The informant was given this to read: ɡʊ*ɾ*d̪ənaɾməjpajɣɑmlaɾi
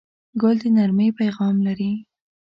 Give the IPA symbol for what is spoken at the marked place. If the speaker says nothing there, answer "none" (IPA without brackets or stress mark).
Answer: l